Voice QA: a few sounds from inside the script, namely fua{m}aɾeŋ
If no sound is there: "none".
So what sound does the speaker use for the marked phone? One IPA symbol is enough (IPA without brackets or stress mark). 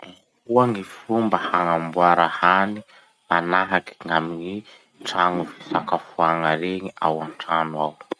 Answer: ŋ